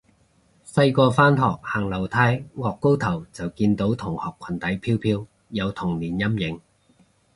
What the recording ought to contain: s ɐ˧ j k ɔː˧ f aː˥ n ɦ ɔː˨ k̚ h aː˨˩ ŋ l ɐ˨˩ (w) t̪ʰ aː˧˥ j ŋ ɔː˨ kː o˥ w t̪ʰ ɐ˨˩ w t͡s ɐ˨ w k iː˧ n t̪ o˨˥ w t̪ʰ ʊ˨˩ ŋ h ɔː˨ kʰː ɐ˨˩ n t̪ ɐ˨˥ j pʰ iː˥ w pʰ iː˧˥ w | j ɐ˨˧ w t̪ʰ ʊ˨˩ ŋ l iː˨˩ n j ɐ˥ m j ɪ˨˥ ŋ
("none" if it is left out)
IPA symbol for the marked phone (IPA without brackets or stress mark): w